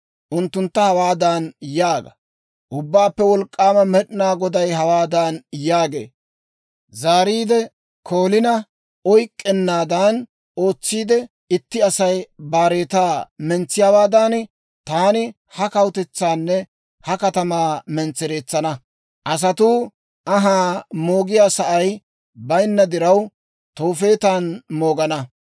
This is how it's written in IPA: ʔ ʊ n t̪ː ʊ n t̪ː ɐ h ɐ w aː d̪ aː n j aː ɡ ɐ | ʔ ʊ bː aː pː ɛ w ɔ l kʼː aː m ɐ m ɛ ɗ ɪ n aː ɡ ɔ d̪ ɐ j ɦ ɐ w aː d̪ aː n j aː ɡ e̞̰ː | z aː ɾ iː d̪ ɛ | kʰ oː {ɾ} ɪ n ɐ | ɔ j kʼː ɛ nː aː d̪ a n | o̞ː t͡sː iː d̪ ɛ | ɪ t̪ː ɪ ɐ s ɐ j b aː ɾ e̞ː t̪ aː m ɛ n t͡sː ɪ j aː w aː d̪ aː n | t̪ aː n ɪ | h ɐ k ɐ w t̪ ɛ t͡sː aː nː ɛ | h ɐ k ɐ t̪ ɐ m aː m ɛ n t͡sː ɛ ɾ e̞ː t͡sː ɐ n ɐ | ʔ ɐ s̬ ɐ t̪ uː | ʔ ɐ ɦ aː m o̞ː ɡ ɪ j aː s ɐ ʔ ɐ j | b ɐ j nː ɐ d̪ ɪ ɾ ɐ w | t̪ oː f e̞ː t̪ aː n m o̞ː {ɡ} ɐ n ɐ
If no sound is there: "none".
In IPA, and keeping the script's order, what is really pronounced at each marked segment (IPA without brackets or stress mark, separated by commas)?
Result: l, ɡ